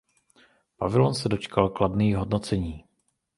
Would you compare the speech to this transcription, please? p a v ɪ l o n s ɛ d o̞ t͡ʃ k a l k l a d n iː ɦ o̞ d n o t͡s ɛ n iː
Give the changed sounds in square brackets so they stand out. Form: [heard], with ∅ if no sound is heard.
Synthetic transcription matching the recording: p a v ɪ l o n s ɛ d o̞ t͡ʃ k a l k l a d n iː ɦ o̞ d n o t͡s ɛ [ɲ] iː